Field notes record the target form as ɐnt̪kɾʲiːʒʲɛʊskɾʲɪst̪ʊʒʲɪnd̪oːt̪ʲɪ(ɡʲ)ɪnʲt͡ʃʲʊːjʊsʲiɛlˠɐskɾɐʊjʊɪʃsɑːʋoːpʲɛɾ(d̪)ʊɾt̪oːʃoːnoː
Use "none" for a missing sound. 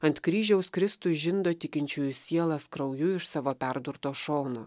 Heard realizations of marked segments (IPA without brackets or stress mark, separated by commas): kʲ, d̪